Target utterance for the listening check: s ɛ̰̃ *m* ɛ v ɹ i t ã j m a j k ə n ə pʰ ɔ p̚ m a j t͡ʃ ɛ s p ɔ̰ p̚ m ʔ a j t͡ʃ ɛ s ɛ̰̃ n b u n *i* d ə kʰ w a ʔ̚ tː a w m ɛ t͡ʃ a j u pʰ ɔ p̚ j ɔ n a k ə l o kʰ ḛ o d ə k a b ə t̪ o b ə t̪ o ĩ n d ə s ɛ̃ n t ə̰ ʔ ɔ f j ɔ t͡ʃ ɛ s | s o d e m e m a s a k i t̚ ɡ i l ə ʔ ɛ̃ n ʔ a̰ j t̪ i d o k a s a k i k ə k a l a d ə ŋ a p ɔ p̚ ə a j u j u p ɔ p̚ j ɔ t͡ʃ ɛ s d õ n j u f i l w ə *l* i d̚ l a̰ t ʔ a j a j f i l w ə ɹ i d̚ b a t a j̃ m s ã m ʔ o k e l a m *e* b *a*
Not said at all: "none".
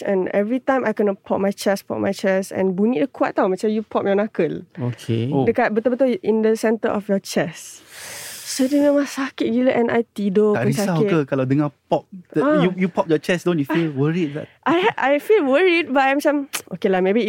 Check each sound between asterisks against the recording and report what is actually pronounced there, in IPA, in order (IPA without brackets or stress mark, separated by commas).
n, i, ɹ, e, i